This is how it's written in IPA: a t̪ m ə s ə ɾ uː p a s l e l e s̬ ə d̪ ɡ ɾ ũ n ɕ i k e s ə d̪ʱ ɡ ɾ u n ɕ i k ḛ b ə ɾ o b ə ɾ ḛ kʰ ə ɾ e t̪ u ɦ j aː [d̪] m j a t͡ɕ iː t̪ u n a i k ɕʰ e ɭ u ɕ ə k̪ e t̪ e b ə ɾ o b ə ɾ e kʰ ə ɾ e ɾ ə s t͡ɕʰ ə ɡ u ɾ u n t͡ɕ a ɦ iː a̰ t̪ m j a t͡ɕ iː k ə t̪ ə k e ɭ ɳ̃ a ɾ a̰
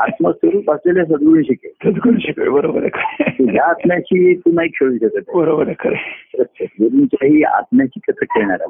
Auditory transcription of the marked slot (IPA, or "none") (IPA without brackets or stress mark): t̪